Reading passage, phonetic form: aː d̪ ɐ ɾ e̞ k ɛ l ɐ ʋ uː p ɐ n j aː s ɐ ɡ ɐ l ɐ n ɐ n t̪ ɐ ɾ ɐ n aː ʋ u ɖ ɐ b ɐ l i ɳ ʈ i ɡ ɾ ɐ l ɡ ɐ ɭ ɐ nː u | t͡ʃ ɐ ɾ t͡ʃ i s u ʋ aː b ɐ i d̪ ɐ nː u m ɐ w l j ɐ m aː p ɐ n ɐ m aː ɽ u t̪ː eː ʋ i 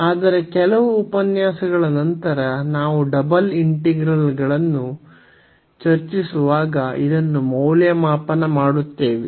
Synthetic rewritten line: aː d̪ ɐ ɾ e̞ k ɛ l ɐ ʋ uː p ɐ n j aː s ɐ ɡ ɐ ɭ ɐ n ɐ n t̪ ɐ ɾ ɐ n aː ʋ u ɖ ɐ b ɐ l i ɳ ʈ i ɡ ɾ ɐ l ɡ ɐ ɭ ɐ nː u | t͡ʃ ɐ ɾ t͡ʃ i s u ʋ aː ɡ ɐ i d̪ ɐ nː u m ɐ w l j ɐ m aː p ɐ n ɐ m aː ɽ u t̪ː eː ʋ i